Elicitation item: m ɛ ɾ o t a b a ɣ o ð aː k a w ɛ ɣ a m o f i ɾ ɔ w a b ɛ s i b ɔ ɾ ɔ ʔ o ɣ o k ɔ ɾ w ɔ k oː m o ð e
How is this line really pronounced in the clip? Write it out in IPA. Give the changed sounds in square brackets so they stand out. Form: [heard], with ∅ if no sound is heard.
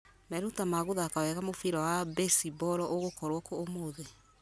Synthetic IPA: m ɛ ɾ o t a [m] a ɣ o ð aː k a w ɛ ɣ a m o f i ɾ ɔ w a b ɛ s i b ɔ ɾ ɔ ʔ o ɣ o k ɔ ɾ w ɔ k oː m o ð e